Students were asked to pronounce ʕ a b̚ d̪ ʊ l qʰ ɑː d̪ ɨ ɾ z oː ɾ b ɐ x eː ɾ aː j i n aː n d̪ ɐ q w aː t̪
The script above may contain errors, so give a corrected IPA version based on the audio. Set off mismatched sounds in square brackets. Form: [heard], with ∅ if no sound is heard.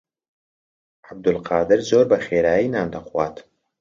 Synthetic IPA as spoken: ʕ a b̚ d̪ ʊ l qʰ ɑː d̪ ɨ ɾ z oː ɾ b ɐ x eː ɾ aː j i n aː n d̪ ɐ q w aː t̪